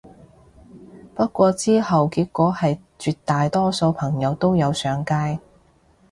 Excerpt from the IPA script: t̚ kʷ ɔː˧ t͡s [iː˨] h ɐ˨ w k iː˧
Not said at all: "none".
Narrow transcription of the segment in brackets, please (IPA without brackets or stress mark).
iː˥